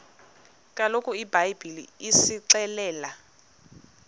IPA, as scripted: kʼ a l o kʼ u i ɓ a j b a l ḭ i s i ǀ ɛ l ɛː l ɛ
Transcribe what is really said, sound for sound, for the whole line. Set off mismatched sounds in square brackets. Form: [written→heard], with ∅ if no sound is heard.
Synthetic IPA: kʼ a l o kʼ u i [ɓ→b] a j b [a→i] l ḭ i s i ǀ ɛ l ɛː l [ɛ→a]